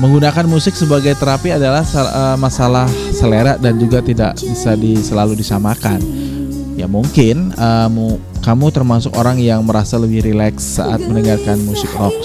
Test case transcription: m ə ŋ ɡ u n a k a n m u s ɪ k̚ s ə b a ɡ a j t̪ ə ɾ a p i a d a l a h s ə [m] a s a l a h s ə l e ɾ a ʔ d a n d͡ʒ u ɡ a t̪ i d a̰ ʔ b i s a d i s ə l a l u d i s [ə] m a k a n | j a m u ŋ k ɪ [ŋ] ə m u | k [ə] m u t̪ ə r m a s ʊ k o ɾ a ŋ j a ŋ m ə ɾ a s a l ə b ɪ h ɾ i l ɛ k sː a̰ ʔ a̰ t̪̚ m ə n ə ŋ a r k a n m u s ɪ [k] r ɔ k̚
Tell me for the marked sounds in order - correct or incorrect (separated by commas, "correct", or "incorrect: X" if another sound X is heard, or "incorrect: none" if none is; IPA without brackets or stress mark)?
correct, incorrect: a, incorrect: n, incorrect: a, correct